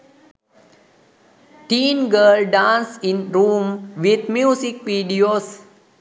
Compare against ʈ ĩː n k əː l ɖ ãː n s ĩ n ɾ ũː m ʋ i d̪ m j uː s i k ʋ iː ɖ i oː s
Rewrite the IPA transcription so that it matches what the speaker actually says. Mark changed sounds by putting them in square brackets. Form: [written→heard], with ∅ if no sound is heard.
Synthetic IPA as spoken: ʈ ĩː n [k→ɡ] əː l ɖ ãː n s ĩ n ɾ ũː m ʋ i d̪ m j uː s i k ʋ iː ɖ i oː s